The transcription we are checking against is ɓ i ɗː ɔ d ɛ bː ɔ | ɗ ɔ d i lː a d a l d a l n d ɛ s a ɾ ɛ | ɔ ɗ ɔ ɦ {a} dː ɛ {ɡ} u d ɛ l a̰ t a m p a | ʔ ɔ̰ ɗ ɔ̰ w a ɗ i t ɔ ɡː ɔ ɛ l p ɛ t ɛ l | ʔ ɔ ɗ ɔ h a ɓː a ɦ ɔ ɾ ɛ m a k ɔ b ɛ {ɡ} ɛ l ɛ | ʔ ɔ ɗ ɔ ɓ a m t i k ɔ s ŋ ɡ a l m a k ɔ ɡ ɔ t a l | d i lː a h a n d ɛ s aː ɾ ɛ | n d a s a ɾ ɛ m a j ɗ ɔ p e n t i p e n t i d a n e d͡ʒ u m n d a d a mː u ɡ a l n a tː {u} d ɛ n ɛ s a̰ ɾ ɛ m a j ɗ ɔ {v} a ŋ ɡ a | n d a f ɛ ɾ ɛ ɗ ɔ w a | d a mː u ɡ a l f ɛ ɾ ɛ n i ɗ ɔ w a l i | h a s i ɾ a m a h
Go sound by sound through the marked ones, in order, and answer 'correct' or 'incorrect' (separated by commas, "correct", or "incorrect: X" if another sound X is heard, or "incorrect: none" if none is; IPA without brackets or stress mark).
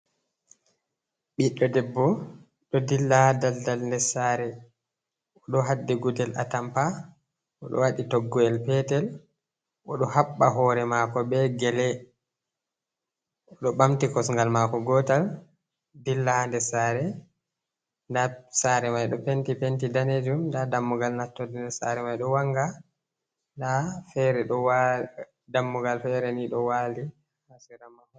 correct, correct, correct, incorrect: ɔ, incorrect: w